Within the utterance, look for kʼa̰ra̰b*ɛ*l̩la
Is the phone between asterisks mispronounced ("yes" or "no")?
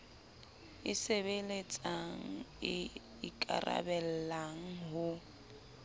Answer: no